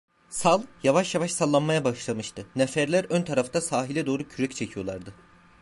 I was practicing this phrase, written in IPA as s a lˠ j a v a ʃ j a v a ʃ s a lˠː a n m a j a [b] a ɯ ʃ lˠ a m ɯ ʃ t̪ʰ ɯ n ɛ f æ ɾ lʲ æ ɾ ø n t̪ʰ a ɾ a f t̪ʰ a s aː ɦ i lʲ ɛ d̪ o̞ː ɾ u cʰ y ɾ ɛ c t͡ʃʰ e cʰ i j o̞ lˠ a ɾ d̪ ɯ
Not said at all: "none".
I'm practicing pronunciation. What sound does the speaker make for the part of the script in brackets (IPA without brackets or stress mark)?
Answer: b